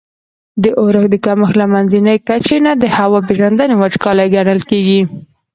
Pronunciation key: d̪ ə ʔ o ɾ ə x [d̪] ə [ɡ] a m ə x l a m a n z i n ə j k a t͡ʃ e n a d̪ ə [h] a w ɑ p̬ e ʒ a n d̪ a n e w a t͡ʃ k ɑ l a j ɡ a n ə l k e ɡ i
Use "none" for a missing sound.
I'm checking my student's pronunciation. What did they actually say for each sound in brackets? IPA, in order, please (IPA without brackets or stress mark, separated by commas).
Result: d̪, k, h